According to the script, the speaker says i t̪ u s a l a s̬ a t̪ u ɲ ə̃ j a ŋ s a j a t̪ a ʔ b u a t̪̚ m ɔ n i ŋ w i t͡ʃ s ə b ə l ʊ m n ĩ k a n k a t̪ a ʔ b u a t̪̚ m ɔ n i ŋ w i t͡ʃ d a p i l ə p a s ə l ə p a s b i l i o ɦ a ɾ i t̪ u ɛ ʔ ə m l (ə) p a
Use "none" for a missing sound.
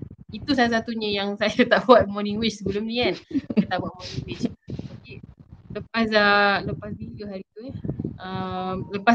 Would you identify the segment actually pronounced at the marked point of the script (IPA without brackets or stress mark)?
ə